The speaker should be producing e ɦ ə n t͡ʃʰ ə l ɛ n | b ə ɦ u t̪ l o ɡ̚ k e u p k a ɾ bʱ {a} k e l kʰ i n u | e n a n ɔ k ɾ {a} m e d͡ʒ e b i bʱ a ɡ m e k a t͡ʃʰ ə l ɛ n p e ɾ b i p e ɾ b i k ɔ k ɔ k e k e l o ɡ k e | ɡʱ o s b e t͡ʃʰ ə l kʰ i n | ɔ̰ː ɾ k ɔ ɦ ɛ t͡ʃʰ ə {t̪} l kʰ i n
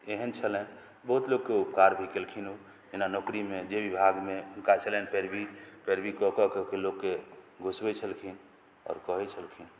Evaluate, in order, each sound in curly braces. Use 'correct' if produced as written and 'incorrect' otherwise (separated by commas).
incorrect, incorrect, incorrect